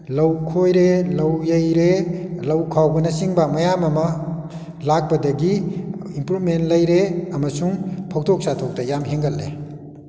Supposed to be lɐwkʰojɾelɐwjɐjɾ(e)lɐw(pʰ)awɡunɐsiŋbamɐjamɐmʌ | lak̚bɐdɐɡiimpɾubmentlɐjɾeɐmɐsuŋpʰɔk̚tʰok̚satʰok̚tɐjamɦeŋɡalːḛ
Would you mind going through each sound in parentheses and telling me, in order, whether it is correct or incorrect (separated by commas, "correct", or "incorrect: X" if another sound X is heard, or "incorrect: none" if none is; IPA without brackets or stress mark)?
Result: correct, incorrect: kʰ